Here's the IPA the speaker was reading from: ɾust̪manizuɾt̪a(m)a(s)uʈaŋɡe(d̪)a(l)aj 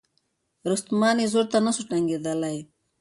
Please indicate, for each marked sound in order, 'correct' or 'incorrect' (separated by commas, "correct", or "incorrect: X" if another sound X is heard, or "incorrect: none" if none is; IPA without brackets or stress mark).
incorrect: n, correct, correct, correct